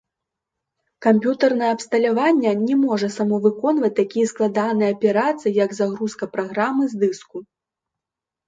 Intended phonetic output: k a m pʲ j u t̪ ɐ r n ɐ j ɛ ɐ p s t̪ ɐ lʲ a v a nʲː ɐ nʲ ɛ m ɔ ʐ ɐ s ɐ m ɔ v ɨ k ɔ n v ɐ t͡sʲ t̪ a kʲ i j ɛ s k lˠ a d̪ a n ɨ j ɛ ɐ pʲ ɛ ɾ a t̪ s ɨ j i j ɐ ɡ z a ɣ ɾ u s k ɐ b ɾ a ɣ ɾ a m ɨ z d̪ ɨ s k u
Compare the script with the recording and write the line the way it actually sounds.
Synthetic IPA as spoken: k a m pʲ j u t̪ ɐ r n ɐ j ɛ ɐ p s t̪ ɐ lʲ a v a nʲː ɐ nʲ ɛ m ɔ ʐ ɐ s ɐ m ɔ v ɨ k ɔ n v ɐ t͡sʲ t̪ a kʲ i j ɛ s k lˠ a d̪ a n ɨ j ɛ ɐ pʲ ɛ ɾ a t̪ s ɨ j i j ɐ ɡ z a ɣ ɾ u s k ɐ p ɾ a ɣ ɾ a m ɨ z d̪ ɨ s k u